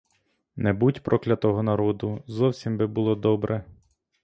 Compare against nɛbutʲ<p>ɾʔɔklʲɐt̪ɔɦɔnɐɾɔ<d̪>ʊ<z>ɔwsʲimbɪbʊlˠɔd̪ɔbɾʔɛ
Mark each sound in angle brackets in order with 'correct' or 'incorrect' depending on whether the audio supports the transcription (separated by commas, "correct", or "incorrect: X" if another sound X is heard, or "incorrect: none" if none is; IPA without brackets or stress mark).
correct, correct, correct